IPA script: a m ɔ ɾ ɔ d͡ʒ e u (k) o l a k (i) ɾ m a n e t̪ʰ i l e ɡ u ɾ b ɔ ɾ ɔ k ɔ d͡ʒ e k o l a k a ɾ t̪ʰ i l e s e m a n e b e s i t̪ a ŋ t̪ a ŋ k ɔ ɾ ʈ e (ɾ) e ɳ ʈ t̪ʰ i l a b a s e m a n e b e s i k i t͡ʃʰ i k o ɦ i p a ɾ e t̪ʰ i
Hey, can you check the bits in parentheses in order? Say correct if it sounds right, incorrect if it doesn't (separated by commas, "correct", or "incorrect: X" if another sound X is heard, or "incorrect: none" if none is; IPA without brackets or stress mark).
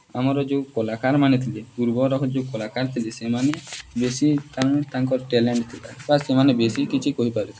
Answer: correct, incorrect: a, incorrect: l